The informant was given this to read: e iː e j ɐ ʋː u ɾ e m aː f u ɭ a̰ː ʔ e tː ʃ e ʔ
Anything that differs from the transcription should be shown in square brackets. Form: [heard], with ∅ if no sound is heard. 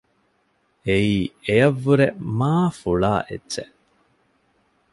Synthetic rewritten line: e iː e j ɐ ʋː u ɾ e m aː f u ɭ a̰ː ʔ e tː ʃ e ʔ